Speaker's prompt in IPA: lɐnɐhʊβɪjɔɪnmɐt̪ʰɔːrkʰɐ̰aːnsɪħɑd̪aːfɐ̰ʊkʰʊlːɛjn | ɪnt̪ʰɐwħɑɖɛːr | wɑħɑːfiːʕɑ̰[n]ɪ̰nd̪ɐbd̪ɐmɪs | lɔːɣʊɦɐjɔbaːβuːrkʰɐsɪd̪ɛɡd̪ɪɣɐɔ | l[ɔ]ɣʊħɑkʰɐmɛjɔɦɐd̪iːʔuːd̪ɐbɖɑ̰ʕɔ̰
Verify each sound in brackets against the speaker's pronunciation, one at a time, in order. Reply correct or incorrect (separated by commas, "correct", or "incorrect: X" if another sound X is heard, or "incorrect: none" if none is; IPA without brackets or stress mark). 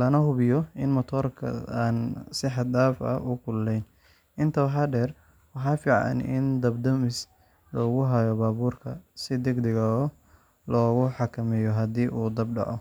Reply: correct, incorrect: ɔː